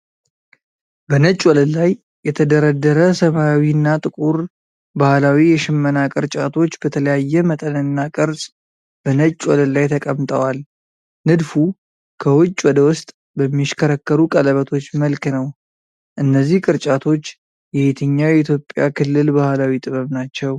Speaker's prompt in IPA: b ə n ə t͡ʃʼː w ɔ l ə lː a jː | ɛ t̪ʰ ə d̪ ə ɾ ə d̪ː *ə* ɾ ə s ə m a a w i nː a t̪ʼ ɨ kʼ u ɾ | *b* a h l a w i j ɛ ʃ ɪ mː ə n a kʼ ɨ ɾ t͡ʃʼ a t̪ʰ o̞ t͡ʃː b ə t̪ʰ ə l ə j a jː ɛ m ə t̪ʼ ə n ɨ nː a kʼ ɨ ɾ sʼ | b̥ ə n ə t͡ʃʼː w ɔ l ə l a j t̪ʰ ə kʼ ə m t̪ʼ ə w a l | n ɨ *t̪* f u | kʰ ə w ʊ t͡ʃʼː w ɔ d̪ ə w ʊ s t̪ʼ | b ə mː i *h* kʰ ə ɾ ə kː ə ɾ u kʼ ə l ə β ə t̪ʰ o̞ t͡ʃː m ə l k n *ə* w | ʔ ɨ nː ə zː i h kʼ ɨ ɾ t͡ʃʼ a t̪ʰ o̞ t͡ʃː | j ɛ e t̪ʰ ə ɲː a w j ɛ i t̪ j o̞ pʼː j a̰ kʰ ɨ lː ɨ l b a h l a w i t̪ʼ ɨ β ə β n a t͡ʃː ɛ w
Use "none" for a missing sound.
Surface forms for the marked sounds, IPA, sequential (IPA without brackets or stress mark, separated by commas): ə, b, d̪, ʃ, ə